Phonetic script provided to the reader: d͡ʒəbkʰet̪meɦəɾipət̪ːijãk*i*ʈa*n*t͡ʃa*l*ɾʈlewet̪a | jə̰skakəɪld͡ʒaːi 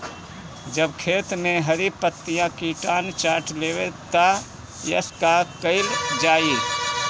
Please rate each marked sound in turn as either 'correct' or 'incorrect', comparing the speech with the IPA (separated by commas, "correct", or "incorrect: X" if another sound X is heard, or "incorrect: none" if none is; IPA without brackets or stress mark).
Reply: correct, correct, incorrect: none